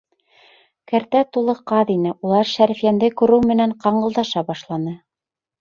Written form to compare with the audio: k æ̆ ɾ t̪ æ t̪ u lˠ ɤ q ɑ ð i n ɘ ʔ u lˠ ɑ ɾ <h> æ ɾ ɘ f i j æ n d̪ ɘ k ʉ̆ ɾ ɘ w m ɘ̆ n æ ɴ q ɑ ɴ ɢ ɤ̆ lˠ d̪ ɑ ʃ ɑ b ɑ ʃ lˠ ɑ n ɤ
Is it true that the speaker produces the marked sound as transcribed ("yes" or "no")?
no